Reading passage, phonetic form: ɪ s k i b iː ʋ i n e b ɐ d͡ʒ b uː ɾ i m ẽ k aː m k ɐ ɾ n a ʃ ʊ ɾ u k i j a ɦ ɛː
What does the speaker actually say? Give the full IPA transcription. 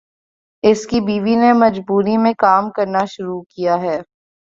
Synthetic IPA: ɪ s k i b iː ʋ i n e m ɐ d͡ʒ b uː ɾ i m ẽ k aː m k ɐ ɾ n a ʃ ʊ ɾ u k i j a ɦ ɛː